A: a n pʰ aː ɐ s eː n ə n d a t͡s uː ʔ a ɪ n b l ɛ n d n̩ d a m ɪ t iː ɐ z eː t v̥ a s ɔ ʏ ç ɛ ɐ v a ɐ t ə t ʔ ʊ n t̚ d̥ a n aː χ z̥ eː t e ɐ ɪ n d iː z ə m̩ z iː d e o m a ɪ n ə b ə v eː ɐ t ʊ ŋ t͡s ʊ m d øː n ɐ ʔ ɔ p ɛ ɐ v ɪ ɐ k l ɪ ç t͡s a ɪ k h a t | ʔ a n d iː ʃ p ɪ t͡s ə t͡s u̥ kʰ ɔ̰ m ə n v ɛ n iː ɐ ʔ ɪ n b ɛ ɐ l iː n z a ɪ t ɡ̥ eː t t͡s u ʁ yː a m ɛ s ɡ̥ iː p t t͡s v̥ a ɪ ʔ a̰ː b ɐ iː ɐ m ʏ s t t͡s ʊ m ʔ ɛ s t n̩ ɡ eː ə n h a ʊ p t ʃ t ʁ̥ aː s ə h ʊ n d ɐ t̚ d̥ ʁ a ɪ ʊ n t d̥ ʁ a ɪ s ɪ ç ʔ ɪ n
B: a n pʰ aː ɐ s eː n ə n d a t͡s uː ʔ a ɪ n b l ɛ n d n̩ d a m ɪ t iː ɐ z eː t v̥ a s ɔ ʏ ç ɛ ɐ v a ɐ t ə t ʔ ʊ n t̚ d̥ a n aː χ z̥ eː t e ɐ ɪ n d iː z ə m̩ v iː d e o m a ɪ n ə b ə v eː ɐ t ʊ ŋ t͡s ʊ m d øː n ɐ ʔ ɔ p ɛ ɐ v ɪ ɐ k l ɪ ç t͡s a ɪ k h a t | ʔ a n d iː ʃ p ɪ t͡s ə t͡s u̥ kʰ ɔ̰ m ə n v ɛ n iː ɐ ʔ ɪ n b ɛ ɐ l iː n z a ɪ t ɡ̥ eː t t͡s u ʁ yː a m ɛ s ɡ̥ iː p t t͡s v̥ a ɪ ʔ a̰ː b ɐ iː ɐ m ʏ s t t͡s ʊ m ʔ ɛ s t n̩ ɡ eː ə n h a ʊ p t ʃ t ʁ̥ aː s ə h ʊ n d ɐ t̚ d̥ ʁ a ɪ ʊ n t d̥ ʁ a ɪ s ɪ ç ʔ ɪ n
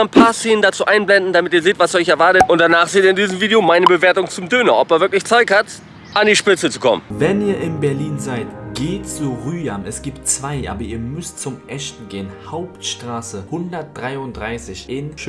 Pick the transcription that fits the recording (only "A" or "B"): B